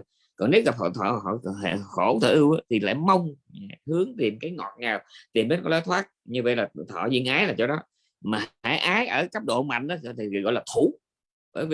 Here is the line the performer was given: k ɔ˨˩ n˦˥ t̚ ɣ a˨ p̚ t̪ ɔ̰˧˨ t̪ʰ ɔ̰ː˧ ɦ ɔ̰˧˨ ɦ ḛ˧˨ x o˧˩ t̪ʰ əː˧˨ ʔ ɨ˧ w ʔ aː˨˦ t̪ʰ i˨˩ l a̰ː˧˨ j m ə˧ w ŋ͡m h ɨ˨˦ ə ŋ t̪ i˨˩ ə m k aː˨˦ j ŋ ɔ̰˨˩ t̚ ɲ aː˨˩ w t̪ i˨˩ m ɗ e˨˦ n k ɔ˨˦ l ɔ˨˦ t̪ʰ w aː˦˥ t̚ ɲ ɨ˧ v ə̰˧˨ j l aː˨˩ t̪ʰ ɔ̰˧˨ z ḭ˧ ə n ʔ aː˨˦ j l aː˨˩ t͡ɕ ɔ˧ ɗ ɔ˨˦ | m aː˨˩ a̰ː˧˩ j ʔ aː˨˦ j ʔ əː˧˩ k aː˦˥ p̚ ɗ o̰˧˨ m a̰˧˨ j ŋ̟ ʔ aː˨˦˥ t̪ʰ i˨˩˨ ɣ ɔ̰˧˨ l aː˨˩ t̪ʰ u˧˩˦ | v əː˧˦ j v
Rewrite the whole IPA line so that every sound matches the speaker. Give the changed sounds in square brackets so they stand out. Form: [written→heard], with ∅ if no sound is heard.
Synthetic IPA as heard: k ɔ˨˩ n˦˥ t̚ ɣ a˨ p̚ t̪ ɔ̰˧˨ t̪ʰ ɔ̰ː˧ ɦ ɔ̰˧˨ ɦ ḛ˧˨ x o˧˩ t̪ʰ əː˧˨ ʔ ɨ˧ w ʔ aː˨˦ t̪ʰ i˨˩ l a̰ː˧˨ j m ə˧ w ŋ͡m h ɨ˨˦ ə ŋ t̪ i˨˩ ə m k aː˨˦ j ŋ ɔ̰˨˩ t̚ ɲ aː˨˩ w t̪ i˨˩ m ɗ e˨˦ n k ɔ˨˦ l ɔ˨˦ t̪ʰ w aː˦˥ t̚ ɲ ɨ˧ v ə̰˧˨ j l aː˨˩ t̪ʰ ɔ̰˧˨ z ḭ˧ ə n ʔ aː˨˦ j l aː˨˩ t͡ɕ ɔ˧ ɗ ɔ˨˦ | m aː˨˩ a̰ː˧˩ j ʔ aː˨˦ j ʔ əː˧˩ k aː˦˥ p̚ ɗ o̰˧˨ m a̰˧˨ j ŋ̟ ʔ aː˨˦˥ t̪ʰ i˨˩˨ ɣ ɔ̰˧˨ l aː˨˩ t̪ʰ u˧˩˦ | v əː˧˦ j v

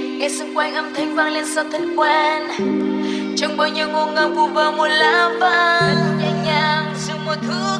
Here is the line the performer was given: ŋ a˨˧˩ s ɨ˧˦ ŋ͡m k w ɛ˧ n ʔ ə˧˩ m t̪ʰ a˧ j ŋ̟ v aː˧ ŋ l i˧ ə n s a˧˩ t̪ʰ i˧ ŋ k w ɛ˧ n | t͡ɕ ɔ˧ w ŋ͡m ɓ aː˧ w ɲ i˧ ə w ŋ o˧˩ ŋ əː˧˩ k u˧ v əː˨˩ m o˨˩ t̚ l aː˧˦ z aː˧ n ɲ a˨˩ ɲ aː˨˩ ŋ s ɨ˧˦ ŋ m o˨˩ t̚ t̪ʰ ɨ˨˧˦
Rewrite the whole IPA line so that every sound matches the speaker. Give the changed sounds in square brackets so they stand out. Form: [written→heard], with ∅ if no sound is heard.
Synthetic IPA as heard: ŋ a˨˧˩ s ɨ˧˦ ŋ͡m k w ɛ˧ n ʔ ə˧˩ m t̪ʰ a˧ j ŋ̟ v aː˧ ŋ l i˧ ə n s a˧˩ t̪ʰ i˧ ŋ k w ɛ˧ n | t͡ɕ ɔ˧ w ŋ͡m ɓ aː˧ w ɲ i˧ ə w ŋ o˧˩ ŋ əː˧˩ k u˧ v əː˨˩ m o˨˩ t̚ l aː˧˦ [z→v] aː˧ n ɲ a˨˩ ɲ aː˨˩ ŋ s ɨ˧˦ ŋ m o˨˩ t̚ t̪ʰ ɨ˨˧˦

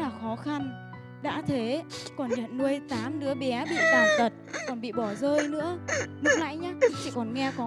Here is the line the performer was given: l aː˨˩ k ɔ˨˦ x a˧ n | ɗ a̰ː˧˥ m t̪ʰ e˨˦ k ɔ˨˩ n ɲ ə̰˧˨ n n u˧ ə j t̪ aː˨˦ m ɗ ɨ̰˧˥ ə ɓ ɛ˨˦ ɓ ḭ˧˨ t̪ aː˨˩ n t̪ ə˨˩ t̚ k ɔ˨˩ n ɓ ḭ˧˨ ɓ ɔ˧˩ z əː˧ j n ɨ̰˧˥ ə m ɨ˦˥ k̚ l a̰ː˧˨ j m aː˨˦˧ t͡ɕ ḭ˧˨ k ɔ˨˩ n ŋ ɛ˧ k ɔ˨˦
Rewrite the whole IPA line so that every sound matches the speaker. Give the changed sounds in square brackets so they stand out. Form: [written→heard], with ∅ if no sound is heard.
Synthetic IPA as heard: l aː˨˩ [k→x] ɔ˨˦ x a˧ n | ɗ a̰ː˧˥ [m→∅] t̪ʰ e˨˦ k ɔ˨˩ n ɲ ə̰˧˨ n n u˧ ə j t̪ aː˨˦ m ɗ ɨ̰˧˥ ə ɓ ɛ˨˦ ɓ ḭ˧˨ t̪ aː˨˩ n t̪ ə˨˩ t̚ k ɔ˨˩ n ɓ ḭ˧˨ ɓ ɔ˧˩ z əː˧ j n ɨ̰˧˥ ə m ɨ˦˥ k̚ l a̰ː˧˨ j [m→ɲ] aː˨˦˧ t͡ɕ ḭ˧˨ k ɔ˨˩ n ŋ ɛ˧ k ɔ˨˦

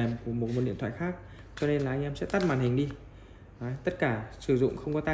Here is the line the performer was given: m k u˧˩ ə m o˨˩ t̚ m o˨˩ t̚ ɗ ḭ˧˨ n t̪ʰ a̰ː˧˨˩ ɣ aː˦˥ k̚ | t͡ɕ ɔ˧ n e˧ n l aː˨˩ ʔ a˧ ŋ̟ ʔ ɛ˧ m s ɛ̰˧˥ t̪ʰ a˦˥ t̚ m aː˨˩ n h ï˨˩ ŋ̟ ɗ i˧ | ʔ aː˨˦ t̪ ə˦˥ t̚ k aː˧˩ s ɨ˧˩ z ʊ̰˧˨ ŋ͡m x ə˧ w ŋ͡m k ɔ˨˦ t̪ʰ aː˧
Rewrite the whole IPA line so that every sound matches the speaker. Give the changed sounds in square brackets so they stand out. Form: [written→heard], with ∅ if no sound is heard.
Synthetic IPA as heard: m k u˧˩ ə m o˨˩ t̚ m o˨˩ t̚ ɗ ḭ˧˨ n t̪ʰ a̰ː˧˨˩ [ɣ→x] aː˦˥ k̚ | t͡ɕ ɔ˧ n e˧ n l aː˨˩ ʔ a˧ ŋ̟ ʔ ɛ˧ m s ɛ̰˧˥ [t̪ʰ→t̪] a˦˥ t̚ m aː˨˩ n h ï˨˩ ŋ̟ ɗ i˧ | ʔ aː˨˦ t̪ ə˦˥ t̚ k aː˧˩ s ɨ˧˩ z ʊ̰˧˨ ŋ͡m x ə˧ w ŋ͡m k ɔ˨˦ [t̪ʰ→t̪] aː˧

